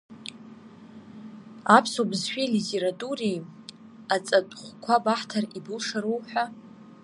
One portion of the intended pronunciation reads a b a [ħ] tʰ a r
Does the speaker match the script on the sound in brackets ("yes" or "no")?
yes